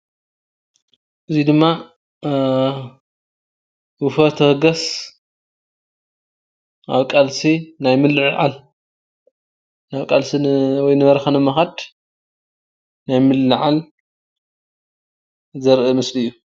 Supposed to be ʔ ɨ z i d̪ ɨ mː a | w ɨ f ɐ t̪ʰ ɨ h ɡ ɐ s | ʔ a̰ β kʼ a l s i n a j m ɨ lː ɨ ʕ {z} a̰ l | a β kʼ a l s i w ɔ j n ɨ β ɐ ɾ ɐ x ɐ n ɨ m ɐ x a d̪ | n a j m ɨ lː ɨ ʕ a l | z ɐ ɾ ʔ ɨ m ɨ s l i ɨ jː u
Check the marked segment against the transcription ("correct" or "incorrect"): incorrect